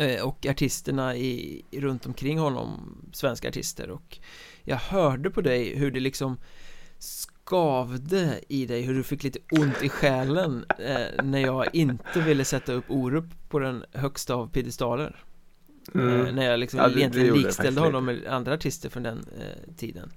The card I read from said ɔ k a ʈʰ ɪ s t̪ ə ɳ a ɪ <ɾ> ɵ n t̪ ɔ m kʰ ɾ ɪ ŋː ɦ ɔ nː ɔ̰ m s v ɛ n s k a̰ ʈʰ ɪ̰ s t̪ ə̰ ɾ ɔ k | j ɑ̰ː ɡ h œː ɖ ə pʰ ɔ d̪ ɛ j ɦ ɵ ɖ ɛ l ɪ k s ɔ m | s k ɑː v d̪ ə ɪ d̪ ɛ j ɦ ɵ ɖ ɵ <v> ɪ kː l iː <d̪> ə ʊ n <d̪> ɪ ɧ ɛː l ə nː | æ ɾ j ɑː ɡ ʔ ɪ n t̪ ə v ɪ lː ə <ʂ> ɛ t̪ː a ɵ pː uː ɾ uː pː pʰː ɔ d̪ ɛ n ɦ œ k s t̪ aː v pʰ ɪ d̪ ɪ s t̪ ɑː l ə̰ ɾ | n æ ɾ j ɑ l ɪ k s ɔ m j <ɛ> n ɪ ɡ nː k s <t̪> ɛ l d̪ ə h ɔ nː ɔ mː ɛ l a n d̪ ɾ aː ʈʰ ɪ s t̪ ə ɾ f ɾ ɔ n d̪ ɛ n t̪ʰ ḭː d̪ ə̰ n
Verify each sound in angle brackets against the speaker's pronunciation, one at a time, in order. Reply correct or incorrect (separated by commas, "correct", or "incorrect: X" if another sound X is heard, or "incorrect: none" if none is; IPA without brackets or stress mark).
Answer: correct, incorrect: f, incorrect: t̪, incorrect: t̪, incorrect: s, correct, correct